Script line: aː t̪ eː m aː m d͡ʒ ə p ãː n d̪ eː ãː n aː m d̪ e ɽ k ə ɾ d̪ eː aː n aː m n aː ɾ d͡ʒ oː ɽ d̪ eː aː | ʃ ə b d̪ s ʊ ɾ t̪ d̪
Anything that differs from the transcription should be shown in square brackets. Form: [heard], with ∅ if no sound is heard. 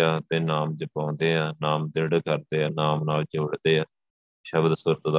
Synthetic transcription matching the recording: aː t̪ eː [n] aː m d͡ʒ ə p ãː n d̪ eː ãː n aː m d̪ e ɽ k ə ɾ d̪ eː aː n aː m n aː [l] d͡ʒ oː ɽ d̪ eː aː | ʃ ə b d̪ s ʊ ɾ t̪ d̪